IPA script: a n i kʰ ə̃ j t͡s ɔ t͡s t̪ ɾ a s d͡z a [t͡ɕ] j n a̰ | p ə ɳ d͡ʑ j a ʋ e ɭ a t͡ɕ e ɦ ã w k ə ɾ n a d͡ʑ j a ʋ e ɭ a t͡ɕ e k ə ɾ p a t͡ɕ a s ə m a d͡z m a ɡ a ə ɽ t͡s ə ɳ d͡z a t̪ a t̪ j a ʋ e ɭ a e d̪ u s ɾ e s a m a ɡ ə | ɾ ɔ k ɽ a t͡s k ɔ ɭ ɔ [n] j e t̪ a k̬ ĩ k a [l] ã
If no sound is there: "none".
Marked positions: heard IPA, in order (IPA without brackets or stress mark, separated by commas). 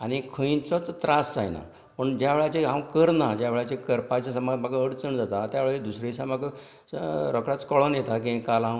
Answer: none, n, l